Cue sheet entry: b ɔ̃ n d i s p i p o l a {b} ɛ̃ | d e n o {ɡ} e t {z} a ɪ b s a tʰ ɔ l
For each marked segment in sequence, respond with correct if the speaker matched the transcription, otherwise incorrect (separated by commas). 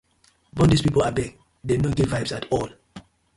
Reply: correct, correct, incorrect